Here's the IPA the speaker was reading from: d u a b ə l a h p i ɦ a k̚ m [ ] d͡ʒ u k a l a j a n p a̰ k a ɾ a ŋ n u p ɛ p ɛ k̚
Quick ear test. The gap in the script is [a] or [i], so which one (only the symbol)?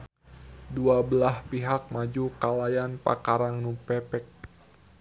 a